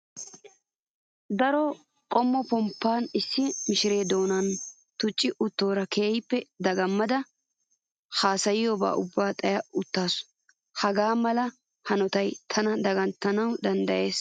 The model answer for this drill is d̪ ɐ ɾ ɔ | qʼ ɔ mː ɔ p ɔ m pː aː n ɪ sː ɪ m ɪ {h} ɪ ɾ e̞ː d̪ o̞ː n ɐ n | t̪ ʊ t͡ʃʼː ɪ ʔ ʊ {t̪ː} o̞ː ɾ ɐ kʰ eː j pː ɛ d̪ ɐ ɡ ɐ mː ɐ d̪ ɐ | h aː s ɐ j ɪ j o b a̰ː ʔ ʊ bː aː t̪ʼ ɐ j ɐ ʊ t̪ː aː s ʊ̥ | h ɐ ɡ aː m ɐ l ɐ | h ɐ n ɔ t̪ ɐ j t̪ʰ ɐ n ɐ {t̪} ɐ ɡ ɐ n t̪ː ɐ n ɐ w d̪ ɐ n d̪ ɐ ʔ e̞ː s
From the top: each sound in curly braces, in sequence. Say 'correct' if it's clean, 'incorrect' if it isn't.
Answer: incorrect: ʃ, correct, incorrect: d̪

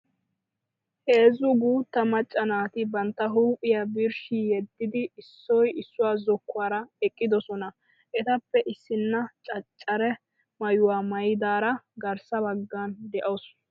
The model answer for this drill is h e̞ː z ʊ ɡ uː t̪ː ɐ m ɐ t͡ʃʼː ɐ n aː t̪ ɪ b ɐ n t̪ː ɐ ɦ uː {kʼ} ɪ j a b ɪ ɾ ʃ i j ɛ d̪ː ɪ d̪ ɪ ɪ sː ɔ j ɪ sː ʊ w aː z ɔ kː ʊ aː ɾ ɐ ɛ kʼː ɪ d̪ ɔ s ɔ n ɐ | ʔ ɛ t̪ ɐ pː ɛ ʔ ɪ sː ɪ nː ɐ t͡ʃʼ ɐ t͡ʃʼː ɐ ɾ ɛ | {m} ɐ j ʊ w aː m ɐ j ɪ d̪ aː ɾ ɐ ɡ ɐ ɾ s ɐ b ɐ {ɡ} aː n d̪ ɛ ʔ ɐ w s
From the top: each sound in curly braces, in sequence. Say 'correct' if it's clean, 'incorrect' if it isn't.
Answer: incorrect: pʼ, correct, incorrect: ɡː

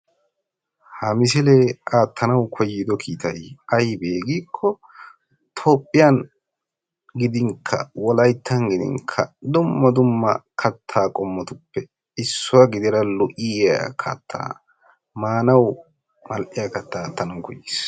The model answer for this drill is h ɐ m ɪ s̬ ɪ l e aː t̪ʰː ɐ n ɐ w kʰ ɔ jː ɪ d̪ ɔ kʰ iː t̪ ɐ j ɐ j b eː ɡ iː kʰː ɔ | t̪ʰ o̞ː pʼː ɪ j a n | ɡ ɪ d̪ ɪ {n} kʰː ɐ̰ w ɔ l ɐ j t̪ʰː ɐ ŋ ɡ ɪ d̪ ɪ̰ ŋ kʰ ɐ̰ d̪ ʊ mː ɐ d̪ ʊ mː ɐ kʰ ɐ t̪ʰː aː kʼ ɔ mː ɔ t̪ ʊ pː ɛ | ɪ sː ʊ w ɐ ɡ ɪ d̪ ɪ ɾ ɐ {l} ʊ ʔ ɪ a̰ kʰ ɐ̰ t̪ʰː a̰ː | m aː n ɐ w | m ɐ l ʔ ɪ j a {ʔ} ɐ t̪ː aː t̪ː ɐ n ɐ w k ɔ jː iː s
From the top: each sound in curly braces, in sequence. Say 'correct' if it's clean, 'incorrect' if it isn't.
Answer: incorrect: ŋ, correct, incorrect: k

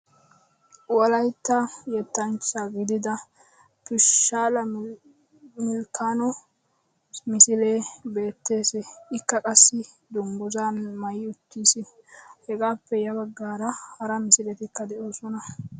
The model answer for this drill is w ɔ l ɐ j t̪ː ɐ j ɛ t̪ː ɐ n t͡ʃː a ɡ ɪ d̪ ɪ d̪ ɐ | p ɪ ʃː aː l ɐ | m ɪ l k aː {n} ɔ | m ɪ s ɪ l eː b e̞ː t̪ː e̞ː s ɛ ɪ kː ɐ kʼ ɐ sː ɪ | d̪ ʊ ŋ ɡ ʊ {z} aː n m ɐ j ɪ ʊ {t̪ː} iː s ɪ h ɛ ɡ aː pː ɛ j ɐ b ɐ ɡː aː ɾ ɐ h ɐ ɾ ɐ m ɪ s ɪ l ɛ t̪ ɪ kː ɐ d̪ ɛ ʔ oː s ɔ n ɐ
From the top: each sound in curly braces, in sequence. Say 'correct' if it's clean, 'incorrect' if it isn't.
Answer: correct, correct, correct

